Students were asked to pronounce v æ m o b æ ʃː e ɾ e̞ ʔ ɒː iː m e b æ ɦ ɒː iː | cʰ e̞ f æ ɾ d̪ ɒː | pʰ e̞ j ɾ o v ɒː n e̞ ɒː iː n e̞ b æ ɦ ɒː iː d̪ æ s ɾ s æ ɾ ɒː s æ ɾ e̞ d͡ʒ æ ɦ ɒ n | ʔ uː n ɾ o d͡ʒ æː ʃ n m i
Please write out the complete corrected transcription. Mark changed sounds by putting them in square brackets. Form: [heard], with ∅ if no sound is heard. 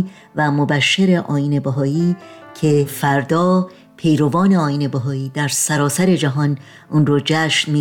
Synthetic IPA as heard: v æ m o b æ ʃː e ɾ e̞ ʔ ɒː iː [n] e b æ ɦ ɒː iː | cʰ e̞ f æ ɾ d̪ ɒː | pʰ e̞ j ɾ o v ɒː n e̞ ɒː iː n e̞ b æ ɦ ɒː iː d̪ æ [∅] ɾ s æ ɾ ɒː s æ ɾ e̞ d͡ʒ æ ɦ ɒ n | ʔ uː n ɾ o d͡ʒ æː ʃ n m i